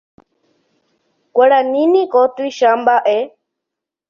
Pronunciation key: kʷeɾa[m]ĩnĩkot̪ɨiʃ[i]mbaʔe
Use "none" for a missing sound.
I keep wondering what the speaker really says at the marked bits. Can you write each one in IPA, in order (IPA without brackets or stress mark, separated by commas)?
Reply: n, a